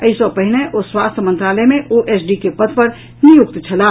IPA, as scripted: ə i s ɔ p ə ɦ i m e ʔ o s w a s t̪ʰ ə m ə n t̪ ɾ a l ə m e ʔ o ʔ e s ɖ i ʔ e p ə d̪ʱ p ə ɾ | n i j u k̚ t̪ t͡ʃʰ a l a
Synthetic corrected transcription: ə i s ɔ p ə ɦ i n e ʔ o s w a s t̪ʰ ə m ə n t̪ ɾ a l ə m e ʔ o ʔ e s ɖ i k e p ə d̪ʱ p ə ɾ | n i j u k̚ t̪ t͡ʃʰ ə l a